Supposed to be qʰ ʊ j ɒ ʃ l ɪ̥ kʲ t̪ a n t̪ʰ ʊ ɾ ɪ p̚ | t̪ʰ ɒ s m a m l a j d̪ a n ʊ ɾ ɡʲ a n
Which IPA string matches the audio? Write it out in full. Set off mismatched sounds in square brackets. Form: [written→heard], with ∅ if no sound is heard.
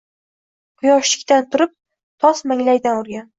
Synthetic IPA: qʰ ʊ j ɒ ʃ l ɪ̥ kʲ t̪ a n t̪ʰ ʊ ɾ ɪ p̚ | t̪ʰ ɒ s m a [m→ŋ] l a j d̪ a n ʊ ɾ ɡʲ a n